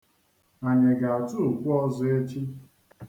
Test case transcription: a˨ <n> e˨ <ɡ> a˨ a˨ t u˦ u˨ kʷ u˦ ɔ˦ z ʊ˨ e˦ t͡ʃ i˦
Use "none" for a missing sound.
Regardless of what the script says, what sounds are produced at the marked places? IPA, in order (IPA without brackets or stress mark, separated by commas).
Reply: ɲ, ɡ